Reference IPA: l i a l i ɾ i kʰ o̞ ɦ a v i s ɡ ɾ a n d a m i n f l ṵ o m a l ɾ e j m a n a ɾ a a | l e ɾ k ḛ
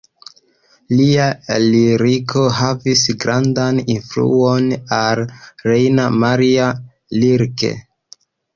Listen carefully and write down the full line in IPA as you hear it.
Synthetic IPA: l i a l i ɾ i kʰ o̞ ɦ a v i s ɡ ɾ a n d a n i n f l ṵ o n a l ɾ e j n a m a ɾ i a | l i ɾ k ḛ